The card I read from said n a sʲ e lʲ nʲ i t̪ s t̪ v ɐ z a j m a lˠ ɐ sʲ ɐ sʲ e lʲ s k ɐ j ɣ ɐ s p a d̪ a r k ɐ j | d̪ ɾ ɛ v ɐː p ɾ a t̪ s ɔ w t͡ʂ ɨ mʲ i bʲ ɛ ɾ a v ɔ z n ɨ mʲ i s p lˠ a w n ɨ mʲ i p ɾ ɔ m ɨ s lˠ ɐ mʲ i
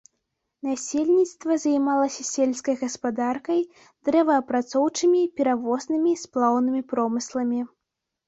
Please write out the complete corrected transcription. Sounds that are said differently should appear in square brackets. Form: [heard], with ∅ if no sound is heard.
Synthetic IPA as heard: n a sʲ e lʲ nʲ i t̪ s t̪ v ɐ z a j m a lˠ ɐ sʲ ɐ sʲ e lʲ s k ɐ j ɣ ɐ s p a d̪ a r k ɐ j | d̪ ɾ ɛ v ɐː p ɾ a t̪ s ɔ w t͡ʂ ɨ mʲ i [pʲ] ɛ ɾ a v ɔ z n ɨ mʲ i s p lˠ a w n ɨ mʲ i p ɾ ɔ m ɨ s lˠ ɐ mʲ i